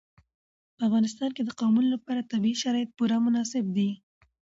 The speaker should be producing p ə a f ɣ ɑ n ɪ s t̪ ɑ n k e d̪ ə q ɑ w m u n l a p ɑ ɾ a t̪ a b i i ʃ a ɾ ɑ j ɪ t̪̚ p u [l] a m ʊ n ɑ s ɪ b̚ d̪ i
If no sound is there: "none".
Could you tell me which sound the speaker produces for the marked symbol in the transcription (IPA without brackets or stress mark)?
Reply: ɾ